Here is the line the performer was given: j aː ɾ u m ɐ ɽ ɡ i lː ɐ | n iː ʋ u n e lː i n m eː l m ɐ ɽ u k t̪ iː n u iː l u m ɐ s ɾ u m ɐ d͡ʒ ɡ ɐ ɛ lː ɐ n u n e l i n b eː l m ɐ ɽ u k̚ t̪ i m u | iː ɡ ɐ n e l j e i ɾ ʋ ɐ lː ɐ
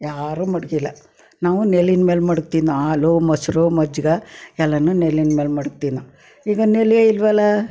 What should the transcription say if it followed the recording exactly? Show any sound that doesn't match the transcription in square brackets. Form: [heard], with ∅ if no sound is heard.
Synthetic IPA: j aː ɾ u m ɐ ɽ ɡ i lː ɐ | n [aː] ʋ u n e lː i n m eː l m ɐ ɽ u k t̪ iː n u [aː] l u m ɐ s ɾ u m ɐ d͡ʒ ɡ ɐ ɛ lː ɐ n u n e l i n [m] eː l m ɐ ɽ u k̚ t̪ i [n] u | iː ɡ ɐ n e l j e i [l] ʋ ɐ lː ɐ